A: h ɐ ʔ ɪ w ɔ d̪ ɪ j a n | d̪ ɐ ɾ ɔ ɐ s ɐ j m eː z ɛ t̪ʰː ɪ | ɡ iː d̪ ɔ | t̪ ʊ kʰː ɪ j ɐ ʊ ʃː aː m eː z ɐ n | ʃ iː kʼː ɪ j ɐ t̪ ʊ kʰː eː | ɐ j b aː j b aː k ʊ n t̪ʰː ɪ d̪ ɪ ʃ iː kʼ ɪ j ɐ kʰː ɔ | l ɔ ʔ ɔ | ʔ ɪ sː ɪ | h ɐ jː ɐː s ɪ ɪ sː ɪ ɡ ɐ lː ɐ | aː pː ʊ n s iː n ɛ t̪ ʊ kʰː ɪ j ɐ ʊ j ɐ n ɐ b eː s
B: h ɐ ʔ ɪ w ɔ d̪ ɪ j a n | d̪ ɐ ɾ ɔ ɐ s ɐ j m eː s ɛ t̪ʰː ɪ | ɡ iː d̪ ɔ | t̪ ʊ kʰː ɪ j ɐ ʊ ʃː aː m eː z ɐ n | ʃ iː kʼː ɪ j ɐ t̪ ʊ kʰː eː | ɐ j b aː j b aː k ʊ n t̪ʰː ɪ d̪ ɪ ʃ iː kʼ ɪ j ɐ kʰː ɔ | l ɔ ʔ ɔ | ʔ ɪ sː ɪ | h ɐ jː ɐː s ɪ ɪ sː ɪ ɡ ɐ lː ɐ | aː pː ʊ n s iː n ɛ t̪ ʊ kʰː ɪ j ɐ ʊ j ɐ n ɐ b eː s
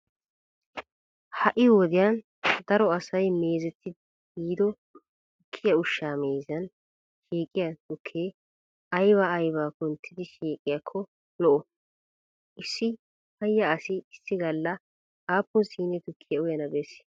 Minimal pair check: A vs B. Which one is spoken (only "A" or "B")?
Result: A